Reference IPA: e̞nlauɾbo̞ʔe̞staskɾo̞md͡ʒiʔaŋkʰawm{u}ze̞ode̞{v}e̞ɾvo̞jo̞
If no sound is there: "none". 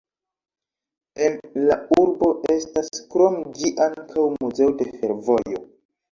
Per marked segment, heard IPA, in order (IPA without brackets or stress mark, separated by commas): u, f